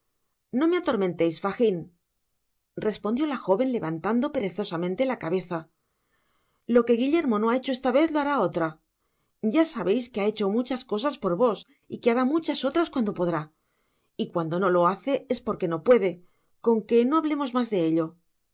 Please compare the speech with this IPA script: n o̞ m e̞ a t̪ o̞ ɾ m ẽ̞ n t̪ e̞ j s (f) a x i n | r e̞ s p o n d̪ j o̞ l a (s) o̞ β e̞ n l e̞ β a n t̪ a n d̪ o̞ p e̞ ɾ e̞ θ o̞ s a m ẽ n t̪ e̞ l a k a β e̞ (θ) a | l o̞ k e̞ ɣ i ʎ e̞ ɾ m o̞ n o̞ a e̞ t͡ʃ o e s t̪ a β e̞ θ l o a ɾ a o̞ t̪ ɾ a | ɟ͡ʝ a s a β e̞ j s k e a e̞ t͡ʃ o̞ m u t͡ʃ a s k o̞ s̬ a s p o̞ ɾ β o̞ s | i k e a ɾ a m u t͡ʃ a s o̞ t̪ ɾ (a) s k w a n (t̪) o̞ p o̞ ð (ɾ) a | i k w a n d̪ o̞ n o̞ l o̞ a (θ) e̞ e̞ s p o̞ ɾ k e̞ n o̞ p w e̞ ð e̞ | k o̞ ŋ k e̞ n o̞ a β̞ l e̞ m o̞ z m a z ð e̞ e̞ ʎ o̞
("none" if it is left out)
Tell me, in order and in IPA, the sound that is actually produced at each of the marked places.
f, x, θ, a, d̪, ɾ, θ

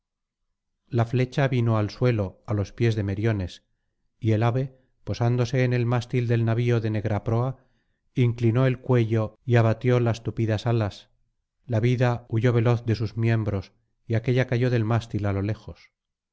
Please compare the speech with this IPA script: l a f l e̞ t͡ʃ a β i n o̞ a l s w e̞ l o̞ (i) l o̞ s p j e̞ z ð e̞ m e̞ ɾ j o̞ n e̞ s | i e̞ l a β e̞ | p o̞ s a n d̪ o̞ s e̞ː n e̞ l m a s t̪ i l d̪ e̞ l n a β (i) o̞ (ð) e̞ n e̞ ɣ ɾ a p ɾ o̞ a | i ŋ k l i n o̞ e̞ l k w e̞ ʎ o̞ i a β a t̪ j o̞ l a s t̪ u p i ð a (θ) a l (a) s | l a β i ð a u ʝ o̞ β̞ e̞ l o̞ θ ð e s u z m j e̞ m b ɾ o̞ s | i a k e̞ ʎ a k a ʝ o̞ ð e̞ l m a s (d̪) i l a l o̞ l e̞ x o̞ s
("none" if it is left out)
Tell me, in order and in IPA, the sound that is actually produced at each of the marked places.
a, i, ð, s, a, t̪

